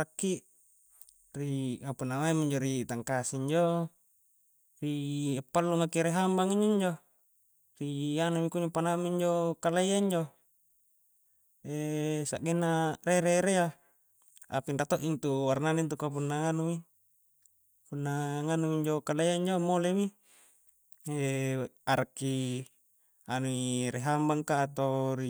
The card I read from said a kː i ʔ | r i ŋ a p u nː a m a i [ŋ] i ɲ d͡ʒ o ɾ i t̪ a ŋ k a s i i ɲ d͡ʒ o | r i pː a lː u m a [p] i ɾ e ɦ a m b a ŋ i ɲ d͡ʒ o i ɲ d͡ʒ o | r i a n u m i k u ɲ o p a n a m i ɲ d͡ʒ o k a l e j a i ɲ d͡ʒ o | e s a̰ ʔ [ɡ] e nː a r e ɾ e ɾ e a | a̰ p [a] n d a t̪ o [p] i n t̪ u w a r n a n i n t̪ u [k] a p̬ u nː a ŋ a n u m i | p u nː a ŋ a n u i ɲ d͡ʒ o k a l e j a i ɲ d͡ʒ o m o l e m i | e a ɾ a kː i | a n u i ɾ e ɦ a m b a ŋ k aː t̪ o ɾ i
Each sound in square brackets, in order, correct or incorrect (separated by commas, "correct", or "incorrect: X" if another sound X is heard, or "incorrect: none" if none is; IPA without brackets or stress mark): incorrect: m, incorrect: k, correct, incorrect: i, incorrect: ʔ, correct